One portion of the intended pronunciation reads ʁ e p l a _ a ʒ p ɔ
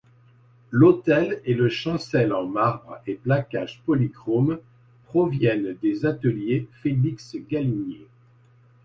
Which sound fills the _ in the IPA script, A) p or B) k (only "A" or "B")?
B